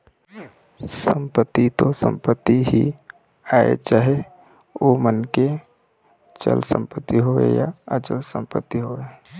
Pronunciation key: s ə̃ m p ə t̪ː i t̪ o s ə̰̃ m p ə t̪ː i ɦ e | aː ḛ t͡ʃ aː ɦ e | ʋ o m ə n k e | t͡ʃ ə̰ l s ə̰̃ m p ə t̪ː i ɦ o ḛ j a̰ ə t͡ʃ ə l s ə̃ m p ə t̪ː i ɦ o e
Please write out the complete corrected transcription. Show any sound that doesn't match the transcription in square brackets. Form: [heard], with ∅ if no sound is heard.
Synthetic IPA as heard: s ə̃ m p ə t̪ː i t̪ o s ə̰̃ m p ə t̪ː i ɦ [i] | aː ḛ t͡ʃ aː ɦ e | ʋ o m ə n k e | t͡ʃ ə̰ l s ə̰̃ m p ə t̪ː i ɦ o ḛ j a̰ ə t͡ʃ ə l s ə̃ m p ə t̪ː i ɦ o e